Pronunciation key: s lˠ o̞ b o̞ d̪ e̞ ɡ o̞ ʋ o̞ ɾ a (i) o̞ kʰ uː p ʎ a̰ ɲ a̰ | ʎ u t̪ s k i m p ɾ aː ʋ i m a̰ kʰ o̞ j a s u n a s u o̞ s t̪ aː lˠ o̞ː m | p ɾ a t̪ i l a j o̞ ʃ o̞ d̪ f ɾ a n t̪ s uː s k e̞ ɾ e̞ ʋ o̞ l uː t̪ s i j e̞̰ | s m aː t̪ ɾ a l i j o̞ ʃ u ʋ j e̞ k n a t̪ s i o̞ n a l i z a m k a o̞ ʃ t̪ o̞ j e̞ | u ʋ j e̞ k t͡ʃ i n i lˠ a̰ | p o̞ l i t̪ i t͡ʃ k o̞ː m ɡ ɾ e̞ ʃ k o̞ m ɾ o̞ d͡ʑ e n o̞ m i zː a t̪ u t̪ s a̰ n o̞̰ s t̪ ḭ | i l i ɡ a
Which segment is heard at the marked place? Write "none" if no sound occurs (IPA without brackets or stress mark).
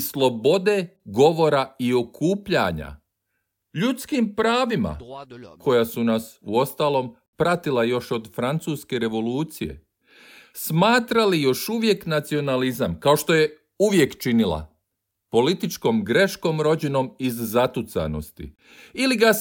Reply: i